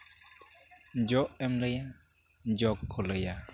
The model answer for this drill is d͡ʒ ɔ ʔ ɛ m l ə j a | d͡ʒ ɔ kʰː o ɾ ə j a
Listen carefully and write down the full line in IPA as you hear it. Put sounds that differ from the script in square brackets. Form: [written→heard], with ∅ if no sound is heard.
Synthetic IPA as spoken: d͡ʒ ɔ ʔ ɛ m l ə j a | d͡ʒ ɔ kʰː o [ɾ→l] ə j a